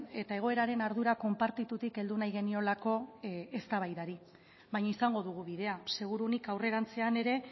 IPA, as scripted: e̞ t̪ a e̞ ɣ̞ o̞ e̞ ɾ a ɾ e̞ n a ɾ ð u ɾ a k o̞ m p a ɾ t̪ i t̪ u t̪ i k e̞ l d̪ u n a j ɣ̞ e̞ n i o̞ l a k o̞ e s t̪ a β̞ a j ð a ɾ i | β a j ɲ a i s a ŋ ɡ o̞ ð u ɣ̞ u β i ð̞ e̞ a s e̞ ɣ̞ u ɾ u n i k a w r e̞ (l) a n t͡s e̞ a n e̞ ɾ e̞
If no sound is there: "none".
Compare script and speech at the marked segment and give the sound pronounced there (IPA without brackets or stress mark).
ɾ